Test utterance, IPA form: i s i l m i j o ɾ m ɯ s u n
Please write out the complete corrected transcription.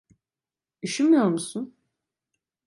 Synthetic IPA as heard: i ʃ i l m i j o ɾ m u s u n